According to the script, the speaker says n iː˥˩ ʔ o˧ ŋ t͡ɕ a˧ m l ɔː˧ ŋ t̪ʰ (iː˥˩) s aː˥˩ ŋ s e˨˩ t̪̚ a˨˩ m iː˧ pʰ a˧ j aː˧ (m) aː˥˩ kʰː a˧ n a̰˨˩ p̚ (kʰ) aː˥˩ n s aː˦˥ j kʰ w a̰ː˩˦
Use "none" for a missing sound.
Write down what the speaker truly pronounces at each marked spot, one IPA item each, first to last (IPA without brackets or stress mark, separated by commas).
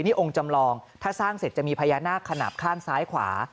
aː˥˩, n, kʰ